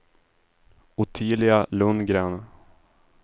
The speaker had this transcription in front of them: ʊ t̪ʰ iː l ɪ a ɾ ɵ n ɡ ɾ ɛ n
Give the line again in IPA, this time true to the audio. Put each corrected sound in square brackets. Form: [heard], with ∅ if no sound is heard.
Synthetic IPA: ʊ t̪ʰ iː l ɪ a [l] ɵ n ɡ ɾ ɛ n